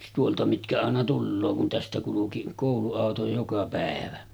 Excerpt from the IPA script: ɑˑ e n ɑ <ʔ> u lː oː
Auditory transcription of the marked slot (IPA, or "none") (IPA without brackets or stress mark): t